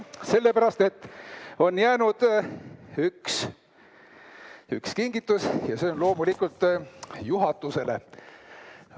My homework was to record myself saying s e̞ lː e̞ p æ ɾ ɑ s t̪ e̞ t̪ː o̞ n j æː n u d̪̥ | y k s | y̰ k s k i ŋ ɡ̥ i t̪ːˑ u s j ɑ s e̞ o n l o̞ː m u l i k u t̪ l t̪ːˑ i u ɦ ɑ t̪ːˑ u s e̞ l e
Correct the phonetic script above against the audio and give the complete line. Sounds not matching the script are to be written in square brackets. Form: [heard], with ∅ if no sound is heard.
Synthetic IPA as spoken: s e̞ lː e̞ p æ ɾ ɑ s t̪ e̞ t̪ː o̞ n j æː n u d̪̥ | y k s | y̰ k s k i ŋ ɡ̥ i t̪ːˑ u s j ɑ s e̞ o n l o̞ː m u l i k u [∅] l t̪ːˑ [j] u ɦ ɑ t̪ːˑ u s e̞ l e

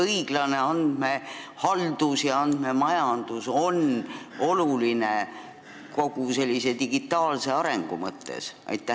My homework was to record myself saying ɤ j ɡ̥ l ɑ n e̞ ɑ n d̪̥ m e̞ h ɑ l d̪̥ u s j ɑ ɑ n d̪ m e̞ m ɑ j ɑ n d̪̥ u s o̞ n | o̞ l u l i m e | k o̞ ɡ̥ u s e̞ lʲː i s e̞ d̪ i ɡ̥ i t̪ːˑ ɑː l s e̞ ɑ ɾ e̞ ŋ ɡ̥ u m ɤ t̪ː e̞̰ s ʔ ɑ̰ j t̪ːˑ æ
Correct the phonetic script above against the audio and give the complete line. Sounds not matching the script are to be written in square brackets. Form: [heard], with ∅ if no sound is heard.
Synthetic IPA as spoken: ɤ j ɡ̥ l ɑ n e̞ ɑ n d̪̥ m e̞ h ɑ l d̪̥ u s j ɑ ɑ n d̪ m e̞ m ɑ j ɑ n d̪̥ u s o̞ n | o̞ l u l i [n] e | k o̞ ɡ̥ u s e̞ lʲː i s e̞ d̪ i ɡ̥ i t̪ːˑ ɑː l s e̞ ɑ ɾ e̞ ŋ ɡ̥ u m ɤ t̪ː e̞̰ s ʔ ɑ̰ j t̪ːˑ æ

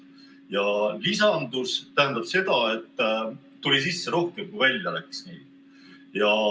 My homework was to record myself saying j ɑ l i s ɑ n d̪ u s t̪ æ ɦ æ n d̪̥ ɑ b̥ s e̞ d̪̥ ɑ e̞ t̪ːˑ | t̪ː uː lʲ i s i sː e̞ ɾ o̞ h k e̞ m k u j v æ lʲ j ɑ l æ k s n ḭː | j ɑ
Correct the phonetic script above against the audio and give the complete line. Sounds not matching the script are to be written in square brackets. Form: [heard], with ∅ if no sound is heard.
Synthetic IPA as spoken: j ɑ l i s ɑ n d̪ u s t̪ æ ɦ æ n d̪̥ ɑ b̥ s e̞ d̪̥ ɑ e̞ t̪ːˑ | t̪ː [u] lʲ i s i sː e̞ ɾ o̞ h k e̞ m k u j v æ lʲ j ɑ l æ k s n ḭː | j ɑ

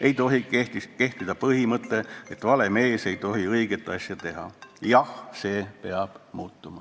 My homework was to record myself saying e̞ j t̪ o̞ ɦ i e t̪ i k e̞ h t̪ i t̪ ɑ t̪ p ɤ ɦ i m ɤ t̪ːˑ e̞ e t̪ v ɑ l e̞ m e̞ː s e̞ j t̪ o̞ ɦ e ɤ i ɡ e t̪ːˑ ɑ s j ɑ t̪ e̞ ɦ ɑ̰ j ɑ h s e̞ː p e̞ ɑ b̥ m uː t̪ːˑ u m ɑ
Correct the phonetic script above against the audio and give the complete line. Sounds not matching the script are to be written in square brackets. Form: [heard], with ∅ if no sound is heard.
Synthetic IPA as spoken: e̞ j t̪ o̞ ɦ i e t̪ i k e̞ h t̪ i [d̪] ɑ [∅] p ɤ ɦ i m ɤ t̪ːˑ e̞ e t̪ v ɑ l e̞ m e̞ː s e̞ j t̪ o̞ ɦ [i] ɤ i ɡ e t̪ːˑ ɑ s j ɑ t̪ e̞ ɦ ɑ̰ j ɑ h s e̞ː p e̞ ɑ b̥ m uː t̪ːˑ u m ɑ

